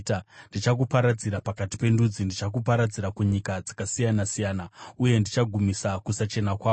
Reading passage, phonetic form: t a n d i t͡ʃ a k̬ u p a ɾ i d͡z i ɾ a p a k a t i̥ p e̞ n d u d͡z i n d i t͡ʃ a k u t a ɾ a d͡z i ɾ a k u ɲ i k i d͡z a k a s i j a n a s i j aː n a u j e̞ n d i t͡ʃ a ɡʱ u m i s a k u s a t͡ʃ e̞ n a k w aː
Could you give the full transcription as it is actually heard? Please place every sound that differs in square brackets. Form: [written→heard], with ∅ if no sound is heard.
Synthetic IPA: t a n d i t͡ʃ a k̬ u p a ɾ [i→a] d͡z i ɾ a p a k a t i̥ p e̞ n d u d͡z i n d i t͡ʃ a k u [t→p] a ɾ a d͡z i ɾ a k u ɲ i k [i→a] d͡z a k a s i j a n a s i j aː n a u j e̞ n d i t͡ʃ a ɡʱ u m i s a k u s a t͡ʃ e̞ n a k w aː

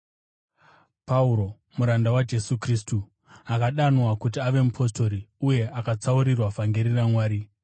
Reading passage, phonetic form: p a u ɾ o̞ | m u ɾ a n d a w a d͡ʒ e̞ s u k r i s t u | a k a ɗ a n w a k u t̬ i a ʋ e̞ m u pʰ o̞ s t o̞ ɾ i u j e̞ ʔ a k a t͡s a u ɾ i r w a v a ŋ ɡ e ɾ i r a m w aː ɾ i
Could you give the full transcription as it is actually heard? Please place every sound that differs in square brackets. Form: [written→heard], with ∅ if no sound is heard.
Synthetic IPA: p a u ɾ o̞ | m u ɾ a n d a w a d͡ʒ e̞ s u k r i s t u | a k a ɗ a n w a k u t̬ i a ʋ e̞ m u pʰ o̞ s t o̞ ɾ i u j e̞ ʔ a k a t͡s a u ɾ i r w a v a ŋ ɡ e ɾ i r a m w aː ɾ i

